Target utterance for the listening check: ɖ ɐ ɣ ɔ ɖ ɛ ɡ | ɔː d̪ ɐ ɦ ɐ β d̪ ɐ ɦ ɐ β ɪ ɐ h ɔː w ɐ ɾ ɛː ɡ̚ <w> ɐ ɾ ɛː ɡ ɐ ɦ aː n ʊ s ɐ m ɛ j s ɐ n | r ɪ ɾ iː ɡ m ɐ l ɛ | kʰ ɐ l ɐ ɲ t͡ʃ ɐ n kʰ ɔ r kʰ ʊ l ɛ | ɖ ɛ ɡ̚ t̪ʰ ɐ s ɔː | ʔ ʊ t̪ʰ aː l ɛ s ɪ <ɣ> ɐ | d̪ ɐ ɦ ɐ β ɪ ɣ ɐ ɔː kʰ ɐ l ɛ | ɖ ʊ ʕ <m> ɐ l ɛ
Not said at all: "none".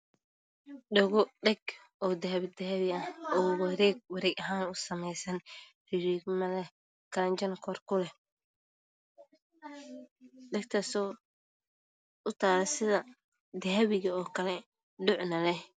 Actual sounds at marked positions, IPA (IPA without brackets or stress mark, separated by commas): w, ð, n